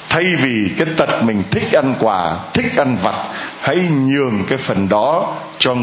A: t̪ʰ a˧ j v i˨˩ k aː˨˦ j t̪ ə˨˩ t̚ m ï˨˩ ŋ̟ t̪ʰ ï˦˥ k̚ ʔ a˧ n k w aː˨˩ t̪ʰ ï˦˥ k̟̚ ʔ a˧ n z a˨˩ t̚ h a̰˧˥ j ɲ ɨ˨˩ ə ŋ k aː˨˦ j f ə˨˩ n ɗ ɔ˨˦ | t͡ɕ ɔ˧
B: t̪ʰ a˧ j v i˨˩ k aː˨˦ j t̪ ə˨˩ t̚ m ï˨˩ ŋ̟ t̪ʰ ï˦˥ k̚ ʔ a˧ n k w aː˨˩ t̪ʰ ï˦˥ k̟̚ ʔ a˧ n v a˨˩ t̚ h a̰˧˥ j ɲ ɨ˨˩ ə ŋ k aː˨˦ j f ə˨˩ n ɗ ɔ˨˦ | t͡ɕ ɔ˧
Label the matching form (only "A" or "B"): B